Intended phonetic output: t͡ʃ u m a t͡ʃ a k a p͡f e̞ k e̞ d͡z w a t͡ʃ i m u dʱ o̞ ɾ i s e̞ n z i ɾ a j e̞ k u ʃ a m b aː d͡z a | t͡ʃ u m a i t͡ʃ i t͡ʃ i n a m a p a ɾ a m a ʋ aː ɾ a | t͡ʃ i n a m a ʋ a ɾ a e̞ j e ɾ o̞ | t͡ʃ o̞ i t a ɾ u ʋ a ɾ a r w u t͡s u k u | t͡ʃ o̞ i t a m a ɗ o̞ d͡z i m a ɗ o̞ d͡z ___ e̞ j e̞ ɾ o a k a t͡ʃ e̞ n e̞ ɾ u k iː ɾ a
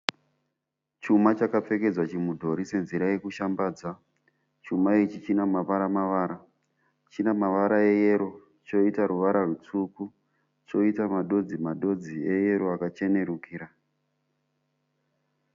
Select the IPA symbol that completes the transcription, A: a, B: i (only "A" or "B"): B